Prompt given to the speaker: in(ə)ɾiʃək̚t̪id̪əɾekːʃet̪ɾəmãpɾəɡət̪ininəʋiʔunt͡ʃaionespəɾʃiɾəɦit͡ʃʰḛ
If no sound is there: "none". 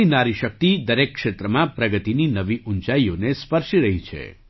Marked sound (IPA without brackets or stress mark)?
a